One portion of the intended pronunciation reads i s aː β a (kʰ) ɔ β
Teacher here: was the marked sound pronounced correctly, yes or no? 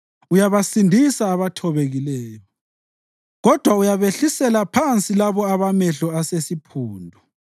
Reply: no